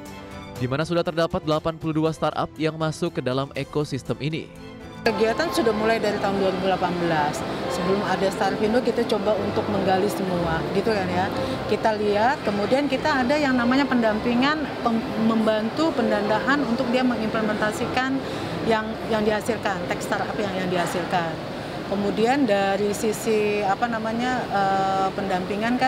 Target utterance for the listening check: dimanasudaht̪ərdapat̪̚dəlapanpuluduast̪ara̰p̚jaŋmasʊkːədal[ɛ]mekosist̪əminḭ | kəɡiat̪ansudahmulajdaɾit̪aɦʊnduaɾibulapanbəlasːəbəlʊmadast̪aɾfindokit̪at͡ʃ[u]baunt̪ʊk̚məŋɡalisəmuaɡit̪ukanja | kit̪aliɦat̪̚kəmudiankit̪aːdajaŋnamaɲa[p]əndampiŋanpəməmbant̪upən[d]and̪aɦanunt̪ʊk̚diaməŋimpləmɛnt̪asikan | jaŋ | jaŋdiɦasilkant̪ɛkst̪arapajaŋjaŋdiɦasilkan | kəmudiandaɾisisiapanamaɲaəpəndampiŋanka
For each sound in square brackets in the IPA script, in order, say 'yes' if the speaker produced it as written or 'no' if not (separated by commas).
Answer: no, no, yes, yes